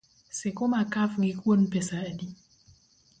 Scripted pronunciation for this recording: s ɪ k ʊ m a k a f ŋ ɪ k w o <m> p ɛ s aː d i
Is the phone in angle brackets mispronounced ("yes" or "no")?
yes